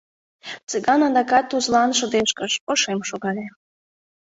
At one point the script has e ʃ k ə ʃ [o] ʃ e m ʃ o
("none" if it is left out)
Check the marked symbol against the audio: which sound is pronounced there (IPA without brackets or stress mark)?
o